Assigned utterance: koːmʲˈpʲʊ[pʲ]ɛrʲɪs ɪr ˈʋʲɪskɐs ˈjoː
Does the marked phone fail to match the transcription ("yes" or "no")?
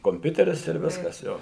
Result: yes